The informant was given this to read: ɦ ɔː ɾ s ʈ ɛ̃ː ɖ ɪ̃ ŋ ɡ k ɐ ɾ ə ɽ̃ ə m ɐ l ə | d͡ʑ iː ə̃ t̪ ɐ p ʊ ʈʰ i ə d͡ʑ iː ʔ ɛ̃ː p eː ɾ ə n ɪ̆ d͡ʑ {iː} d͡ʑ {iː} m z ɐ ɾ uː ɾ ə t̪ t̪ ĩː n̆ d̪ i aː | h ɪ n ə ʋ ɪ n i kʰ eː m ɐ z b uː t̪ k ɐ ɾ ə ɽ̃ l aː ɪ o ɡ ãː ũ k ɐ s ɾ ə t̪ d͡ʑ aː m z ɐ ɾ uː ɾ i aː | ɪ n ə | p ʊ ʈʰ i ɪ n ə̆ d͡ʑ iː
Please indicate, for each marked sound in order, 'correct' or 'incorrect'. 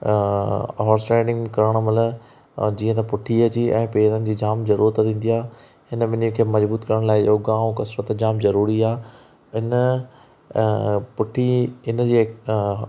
correct, incorrect: aː

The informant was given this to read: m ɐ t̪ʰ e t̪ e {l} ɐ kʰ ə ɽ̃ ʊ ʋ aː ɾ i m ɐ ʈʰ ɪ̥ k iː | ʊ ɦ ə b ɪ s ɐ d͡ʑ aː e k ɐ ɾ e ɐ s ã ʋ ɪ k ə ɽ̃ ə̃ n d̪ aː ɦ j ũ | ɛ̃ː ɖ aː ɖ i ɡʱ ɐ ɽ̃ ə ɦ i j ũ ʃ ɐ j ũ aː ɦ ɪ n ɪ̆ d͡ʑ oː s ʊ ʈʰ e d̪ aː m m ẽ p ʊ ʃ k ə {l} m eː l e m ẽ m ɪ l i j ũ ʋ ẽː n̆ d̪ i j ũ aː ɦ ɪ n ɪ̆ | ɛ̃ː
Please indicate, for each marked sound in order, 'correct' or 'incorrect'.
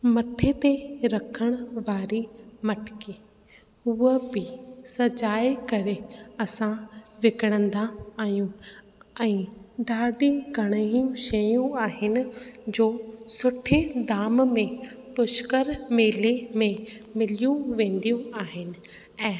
incorrect: ɾ, incorrect: ɾ

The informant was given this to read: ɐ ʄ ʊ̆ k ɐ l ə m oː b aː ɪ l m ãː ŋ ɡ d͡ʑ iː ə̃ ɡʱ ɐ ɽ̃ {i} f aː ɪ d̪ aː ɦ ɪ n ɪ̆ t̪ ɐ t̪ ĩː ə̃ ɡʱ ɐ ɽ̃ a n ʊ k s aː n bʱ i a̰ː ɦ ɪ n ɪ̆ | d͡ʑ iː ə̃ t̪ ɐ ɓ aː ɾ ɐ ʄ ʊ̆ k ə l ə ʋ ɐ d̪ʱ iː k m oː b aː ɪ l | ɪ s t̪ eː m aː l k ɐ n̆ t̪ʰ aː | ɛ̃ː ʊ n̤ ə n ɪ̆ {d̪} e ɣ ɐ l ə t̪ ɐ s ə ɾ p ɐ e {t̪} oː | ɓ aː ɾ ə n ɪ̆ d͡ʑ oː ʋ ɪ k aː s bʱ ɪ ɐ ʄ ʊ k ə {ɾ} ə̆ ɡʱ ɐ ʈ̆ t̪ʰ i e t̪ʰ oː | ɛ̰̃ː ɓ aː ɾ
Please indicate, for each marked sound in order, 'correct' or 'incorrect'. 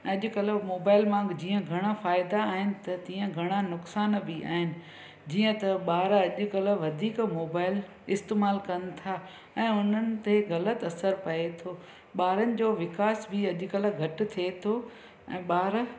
incorrect: a, incorrect: t̪, incorrect: t̪ʰ, incorrect: l

